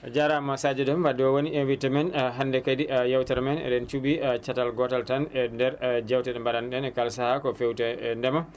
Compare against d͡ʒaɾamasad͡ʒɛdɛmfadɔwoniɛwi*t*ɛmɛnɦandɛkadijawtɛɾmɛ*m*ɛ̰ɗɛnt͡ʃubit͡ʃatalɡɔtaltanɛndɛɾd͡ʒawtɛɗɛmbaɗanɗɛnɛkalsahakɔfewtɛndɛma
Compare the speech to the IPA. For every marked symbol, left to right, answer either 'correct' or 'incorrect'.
correct, incorrect: n

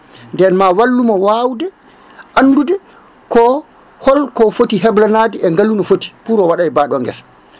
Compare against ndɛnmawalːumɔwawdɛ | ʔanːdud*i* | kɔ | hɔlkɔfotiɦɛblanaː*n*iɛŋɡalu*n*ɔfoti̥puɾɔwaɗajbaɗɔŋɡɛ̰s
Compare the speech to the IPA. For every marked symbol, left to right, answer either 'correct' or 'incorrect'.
incorrect: ɛ, incorrect: d, correct

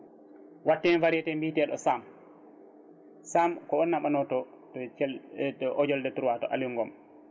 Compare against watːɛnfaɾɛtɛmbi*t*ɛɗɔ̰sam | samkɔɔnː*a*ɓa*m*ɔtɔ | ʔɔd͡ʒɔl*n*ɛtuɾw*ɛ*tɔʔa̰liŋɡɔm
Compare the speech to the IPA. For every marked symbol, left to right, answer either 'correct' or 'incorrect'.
correct, correct, incorrect: n, incorrect: d, incorrect: a

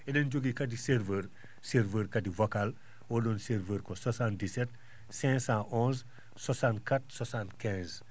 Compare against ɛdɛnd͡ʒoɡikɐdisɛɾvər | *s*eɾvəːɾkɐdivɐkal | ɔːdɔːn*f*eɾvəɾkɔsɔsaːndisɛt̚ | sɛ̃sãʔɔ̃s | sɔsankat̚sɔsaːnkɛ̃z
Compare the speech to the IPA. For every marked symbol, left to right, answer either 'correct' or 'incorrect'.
correct, incorrect: s

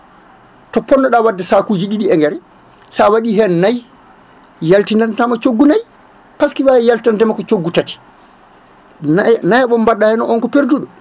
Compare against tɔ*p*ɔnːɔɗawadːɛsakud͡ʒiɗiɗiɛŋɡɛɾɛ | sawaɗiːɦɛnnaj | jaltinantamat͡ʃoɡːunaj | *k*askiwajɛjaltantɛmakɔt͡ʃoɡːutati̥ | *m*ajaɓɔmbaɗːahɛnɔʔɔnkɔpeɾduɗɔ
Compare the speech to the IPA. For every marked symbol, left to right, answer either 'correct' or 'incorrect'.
correct, incorrect: p, incorrect: n

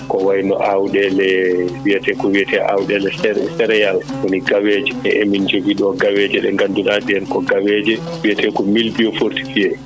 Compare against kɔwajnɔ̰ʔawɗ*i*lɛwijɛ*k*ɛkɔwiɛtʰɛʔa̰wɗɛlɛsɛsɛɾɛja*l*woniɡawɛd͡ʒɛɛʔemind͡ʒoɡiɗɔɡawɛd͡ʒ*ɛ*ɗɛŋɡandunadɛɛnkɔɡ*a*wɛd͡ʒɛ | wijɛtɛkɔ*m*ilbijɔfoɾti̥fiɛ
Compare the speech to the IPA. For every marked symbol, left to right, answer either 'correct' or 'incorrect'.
incorrect: ɛ, incorrect: t, correct, correct, correct, correct

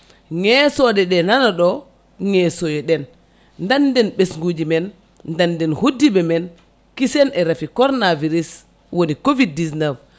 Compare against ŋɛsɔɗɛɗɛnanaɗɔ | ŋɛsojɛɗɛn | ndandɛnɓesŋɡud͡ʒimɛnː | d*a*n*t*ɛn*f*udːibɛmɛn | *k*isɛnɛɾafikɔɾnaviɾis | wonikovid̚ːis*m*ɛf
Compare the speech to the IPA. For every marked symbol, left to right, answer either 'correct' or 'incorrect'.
correct, incorrect: d, incorrect: h, correct, incorrect: n

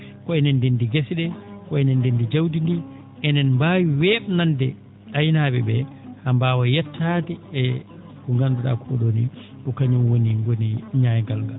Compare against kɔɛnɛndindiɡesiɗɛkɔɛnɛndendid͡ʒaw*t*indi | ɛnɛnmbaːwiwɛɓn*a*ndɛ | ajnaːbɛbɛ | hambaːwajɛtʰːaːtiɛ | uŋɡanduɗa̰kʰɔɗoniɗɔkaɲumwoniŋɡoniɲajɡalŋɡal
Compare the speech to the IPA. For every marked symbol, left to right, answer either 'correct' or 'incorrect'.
incorrect: d, correct

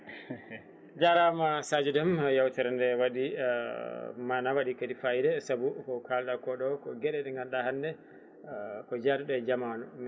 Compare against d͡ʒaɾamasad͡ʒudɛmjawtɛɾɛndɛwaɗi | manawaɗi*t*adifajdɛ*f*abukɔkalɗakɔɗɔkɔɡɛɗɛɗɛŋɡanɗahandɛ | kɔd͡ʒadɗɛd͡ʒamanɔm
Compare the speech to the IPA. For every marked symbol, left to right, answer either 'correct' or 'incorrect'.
incorrect: k, incorrect: s

